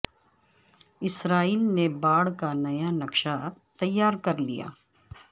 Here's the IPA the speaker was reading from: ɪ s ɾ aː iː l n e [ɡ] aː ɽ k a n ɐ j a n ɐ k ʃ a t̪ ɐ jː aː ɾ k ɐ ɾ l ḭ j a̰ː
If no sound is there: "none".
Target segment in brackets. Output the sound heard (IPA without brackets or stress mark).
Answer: b